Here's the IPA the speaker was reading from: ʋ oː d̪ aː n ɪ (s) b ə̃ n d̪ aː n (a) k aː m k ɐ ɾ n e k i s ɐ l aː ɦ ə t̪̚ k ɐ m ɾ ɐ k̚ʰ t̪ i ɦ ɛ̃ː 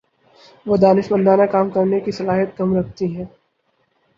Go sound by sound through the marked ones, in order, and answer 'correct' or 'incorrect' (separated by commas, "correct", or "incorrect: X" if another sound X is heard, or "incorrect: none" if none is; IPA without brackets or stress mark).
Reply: incorrect: ʃ, correct